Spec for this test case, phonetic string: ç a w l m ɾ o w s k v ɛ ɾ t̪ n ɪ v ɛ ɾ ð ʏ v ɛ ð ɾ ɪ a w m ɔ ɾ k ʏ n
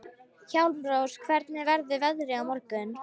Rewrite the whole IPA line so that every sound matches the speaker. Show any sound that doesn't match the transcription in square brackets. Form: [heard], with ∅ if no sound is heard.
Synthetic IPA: ç a w l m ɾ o w s [kʰ] v ɛ ɾ t̪ n ɪ v ɛ ɾ ð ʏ v ɛ ð ɾ ɪ a w m ɔ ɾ k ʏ n